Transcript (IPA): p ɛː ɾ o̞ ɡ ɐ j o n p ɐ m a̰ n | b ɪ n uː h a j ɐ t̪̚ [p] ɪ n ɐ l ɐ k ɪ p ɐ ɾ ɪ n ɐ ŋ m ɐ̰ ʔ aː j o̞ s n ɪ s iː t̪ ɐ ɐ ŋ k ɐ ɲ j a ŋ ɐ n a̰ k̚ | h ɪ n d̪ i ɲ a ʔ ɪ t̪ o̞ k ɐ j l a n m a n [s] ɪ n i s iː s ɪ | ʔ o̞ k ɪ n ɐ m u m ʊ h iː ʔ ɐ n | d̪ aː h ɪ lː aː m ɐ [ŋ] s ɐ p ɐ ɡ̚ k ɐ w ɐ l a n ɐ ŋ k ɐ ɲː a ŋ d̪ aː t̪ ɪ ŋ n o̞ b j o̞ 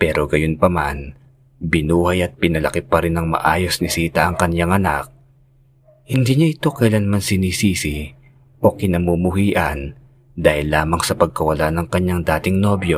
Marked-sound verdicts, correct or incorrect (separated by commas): correct, correct, correct